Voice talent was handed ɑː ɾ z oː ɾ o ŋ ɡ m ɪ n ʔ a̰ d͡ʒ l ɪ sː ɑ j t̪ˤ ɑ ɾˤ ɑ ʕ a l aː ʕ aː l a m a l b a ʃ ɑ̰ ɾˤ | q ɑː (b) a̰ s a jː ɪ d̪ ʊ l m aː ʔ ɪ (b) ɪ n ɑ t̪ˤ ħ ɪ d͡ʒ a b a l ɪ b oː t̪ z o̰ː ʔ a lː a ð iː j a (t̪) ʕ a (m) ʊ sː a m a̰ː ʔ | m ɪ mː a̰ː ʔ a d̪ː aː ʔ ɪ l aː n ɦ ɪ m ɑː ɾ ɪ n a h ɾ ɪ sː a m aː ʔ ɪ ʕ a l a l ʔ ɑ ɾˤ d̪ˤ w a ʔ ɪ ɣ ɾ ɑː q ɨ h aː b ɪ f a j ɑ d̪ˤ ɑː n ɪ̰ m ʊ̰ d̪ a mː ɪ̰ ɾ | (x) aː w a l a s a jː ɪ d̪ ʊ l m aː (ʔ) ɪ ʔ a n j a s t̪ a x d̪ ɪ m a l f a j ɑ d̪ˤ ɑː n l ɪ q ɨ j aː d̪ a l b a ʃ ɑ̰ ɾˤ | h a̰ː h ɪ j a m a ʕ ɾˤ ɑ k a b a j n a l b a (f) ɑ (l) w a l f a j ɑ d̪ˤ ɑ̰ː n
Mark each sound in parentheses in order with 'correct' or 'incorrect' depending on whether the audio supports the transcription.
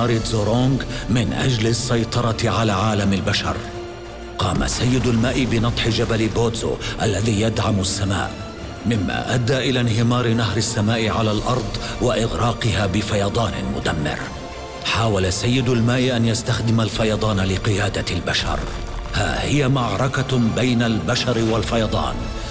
incorrect: m, correct, incorrect: d̪, correct, incorrect: ħ, correct, incorrect: ʃ, incorrect: ɾ

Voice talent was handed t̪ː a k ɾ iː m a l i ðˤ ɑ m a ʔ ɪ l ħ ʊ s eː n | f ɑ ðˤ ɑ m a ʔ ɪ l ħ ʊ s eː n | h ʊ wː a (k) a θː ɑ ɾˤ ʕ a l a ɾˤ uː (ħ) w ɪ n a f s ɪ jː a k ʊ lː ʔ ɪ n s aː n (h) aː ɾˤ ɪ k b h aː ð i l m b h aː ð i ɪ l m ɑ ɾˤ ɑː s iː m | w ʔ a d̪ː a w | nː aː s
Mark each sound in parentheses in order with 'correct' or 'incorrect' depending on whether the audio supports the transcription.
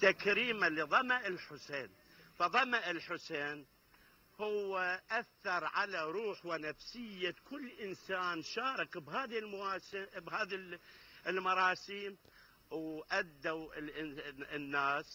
incorrect: ʔ, correct, incorrect: ʃ

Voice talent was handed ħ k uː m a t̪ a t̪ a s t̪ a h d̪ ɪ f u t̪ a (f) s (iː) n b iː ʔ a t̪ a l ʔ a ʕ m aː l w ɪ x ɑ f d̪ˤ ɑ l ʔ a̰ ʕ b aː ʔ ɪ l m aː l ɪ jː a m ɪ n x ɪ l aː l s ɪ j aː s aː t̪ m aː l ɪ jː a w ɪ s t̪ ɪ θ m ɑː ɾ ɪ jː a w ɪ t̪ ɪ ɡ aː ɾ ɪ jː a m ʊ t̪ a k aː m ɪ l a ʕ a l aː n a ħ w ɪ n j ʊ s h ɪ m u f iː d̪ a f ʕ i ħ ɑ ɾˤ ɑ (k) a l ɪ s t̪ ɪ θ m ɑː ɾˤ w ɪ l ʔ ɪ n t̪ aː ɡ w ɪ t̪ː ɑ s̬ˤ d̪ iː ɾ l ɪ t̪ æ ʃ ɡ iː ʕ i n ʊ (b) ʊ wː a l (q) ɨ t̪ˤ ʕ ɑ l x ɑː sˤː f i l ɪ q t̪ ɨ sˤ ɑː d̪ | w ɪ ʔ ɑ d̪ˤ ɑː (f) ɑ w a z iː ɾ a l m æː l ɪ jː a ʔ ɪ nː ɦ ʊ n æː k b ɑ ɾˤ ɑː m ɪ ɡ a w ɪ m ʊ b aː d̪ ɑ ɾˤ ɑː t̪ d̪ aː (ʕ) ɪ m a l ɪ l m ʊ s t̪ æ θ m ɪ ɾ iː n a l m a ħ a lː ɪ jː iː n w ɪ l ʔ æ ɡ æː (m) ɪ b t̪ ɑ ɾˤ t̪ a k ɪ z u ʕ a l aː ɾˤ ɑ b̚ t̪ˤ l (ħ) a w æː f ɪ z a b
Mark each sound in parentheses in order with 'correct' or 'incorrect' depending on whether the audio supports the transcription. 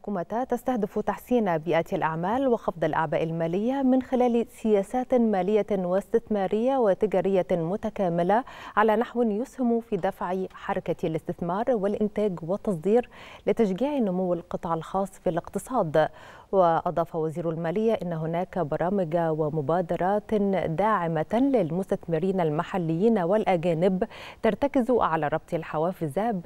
incorrect: ħ, correct, correct, incorrect: m, correct, correct, correct, incorrect: n, correct

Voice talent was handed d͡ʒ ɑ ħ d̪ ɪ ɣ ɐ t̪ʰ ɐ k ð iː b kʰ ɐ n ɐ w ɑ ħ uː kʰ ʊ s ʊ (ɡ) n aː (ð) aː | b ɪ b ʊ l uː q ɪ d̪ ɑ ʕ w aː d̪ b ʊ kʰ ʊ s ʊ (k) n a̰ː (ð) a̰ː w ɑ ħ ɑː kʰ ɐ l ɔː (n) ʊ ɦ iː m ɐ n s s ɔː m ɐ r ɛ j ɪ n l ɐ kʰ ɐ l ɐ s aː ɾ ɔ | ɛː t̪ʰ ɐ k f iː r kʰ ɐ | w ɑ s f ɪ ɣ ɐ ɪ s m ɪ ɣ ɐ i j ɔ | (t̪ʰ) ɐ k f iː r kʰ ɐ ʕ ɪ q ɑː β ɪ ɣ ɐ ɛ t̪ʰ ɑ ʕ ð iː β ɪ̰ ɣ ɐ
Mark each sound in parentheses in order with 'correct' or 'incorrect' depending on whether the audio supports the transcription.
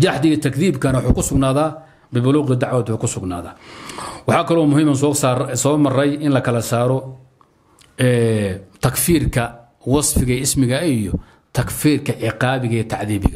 correct, correct, incorrect: ɡ, correct, incorrect: m, correct

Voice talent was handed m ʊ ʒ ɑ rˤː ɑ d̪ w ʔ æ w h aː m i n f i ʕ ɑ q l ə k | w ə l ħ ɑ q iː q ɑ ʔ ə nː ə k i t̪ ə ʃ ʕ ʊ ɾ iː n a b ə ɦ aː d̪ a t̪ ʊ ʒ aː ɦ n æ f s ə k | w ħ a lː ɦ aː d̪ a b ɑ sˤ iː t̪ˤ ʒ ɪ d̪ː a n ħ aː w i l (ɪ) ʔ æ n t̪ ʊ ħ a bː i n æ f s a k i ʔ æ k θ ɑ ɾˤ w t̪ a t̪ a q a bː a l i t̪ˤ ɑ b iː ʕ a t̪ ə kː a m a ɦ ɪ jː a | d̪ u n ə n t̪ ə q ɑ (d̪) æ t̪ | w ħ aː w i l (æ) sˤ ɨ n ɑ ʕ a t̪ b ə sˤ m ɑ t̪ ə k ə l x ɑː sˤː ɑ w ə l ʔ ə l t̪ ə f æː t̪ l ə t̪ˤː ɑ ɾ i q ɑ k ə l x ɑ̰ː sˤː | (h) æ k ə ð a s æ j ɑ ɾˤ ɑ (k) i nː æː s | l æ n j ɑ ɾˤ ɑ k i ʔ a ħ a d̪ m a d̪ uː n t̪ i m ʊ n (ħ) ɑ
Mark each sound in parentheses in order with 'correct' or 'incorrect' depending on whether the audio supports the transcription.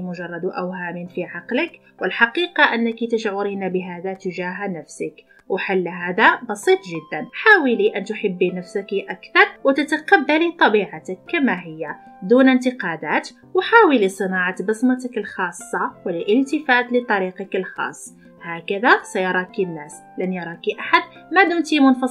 incorrect: i, correct, incorrect: i, correct, correct, incorrect: f

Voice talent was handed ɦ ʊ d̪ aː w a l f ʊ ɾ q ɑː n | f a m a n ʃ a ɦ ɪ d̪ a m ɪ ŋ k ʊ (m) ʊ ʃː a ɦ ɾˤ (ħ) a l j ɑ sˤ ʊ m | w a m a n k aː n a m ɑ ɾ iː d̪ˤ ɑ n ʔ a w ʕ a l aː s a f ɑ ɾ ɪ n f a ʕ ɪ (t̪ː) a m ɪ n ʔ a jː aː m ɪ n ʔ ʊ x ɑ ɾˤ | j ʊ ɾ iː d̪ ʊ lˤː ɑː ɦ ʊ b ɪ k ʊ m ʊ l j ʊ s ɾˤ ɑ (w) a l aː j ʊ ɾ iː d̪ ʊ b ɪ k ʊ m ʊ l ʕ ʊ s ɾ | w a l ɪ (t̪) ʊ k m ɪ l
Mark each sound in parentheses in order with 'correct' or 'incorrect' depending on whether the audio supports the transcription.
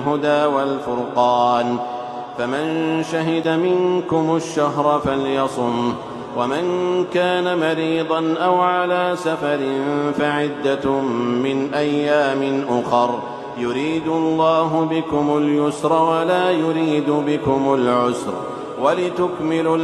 correct, incorrect: f, incorrect: d̪ː, correct, correct

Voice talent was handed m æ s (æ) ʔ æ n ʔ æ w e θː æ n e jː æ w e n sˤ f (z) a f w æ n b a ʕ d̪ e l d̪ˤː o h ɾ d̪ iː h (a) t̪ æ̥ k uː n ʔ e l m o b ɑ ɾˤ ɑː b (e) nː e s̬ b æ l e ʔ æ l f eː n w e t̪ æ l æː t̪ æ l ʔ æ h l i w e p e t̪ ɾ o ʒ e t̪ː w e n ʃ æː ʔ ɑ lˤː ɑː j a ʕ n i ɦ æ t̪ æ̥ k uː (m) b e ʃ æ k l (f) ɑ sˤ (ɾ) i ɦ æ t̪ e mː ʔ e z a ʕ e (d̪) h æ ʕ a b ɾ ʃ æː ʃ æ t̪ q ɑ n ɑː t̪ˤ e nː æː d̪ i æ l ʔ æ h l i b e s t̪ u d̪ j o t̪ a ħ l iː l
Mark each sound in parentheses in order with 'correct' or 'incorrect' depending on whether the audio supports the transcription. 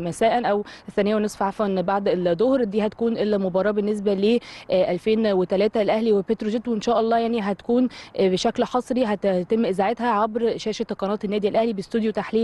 incorrect: æː, incorrect: ʕ, incorrect: æ, correct, incorrect: n, incorrect: ħ, correct, incorrect: t̪

